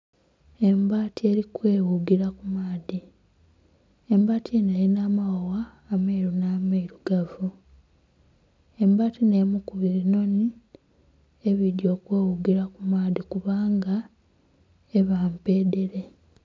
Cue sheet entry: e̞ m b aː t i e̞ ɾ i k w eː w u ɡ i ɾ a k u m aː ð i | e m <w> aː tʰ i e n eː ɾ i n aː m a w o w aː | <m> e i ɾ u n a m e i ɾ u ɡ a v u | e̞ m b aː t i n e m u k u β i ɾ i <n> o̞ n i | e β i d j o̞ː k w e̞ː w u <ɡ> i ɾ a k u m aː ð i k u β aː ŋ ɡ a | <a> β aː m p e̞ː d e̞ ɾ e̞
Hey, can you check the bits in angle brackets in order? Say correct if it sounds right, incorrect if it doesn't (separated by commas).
incorrect, correct, correct, correct, incorrect